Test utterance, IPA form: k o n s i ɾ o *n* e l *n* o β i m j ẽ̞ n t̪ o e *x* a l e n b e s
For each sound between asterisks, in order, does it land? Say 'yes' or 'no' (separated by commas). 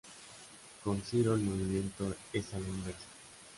no, no, no